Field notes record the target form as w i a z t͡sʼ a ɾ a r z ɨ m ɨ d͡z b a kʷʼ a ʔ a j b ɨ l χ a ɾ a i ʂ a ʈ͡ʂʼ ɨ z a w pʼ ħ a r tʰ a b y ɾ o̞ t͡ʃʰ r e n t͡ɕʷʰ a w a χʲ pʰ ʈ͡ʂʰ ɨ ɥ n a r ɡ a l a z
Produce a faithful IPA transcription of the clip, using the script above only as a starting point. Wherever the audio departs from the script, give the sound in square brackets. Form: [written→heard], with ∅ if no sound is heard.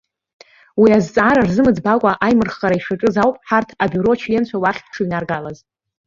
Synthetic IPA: w i a z t͡sʼ a ɾ a r z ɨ m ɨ d͡z b a kʷʼ a ʔ a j [b→m] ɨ [l→r] χ a ɾ a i ʂ a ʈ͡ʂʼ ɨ z a w pʼ ħ a r tʰ a b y ɾ o̞ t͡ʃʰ [r→l] e n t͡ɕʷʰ a w a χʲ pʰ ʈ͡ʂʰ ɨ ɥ n a r ɡ a l a z